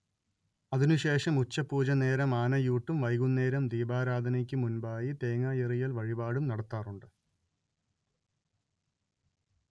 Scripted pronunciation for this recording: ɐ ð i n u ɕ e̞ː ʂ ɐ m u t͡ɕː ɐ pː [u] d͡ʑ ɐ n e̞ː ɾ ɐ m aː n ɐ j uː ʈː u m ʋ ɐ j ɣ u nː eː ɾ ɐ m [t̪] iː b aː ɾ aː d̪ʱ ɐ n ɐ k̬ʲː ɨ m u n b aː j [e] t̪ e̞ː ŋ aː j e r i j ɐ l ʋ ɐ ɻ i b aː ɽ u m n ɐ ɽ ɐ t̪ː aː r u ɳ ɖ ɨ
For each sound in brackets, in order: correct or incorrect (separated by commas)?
incorrect, incorrect, incorrect